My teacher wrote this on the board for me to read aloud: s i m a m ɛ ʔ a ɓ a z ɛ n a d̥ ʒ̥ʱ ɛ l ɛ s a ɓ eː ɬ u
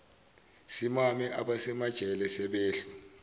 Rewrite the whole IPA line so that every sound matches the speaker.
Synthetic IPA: s i m a m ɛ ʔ a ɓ a s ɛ m a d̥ ʒ̥ʱ ɛ l ɛ s ɛ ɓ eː ɬ u